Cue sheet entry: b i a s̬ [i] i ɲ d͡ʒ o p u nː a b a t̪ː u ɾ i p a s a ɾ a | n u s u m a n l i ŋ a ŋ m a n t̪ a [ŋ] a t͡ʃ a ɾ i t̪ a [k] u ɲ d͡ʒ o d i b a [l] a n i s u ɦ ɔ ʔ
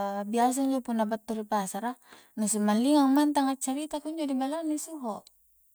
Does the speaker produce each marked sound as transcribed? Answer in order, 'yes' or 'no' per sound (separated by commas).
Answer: no, yes, yes, yes